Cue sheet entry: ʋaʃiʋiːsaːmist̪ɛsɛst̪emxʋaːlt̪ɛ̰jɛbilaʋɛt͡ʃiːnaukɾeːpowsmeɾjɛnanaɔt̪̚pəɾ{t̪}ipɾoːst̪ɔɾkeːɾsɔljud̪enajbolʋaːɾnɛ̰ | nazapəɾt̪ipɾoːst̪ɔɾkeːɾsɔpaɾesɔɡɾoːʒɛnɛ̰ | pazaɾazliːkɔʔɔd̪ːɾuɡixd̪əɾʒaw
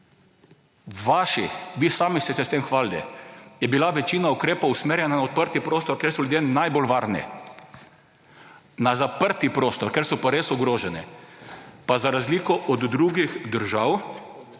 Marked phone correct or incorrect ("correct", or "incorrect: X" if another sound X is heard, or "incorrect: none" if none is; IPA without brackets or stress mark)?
correct